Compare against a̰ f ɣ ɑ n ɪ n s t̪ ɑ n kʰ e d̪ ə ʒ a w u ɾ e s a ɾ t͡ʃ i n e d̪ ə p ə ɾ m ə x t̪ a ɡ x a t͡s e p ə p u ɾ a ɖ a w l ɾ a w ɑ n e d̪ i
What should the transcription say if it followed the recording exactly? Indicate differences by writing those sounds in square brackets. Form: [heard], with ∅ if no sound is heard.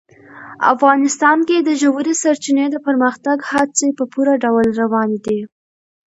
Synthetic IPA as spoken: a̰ f ɣ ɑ n ɪ [∅] s t̪ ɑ n [k] e d̪ ə ʒ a w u ɾ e s a ɾ t͡ʃ i n e d̪ ə p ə ɾ m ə x t̪ a ɡ [h] a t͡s e p ə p u ɾ a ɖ a w l ɾ a w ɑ n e d̪ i